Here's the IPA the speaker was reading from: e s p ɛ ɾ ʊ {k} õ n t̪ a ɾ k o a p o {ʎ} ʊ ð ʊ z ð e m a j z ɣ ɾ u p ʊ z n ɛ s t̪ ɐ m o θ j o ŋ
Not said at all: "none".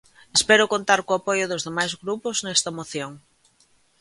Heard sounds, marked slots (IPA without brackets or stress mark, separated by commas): k, j